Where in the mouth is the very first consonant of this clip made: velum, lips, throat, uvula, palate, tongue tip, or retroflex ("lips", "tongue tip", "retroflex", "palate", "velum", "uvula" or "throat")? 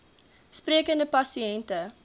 tongue tip